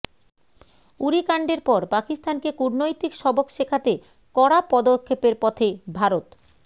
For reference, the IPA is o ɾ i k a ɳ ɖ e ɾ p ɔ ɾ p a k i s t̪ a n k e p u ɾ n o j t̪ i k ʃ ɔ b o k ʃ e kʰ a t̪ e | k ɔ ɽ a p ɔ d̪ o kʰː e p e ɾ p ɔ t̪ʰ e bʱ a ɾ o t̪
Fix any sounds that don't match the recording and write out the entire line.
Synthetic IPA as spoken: u ɾ i k a ɳ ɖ e ɾ p ɔ ɾ p a k i s t̪ a n k e k u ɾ n o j t̪ i k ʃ ɔ b o k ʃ e kʰ a t̪ e | k ɔ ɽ a p ɔ d̪ o kʰː e p e ɾ p ɔ t̪ʰ e bʱ a ɾ o t̪